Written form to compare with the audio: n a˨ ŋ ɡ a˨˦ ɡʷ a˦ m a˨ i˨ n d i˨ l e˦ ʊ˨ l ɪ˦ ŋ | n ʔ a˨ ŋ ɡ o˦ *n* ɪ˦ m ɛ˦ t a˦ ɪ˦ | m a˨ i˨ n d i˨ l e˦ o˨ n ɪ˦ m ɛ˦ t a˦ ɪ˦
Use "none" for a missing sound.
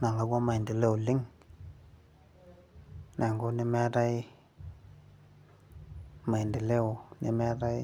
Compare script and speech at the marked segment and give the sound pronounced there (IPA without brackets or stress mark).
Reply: n